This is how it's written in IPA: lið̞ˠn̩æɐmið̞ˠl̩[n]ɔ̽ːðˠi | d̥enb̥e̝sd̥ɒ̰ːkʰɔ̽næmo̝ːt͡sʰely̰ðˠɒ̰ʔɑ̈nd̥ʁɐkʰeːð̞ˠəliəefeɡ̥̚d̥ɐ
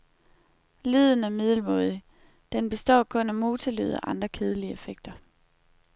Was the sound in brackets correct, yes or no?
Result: no